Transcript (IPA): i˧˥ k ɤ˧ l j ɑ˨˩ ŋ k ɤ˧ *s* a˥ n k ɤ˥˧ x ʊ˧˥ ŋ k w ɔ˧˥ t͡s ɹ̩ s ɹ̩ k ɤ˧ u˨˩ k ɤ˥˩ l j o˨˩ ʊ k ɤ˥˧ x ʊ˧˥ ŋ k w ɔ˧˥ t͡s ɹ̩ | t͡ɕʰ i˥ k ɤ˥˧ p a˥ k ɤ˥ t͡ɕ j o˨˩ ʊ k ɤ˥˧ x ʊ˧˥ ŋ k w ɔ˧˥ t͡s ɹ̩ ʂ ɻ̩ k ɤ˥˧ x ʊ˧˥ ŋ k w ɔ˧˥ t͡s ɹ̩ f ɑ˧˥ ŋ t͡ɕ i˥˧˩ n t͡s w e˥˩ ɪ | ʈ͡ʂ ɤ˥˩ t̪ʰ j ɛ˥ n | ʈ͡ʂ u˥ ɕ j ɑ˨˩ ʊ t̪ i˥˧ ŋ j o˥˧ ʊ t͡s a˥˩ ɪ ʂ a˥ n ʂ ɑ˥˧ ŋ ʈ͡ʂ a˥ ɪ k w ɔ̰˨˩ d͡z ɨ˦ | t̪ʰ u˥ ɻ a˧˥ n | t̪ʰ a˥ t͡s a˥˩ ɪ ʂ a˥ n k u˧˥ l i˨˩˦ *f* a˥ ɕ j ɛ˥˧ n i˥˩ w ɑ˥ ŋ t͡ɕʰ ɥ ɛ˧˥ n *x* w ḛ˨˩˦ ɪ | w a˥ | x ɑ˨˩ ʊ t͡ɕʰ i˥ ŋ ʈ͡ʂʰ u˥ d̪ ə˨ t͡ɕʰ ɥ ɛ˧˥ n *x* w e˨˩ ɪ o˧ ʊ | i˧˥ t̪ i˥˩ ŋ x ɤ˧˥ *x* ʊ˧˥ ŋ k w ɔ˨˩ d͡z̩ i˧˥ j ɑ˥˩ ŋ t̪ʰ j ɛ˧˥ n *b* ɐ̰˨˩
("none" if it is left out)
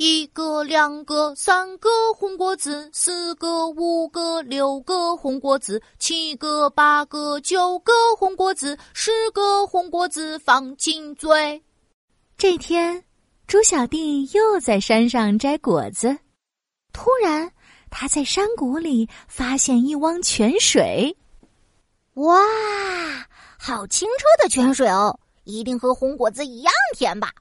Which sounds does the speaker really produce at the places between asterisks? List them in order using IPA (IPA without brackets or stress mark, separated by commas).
s, f, ʂ, ʂ, x, b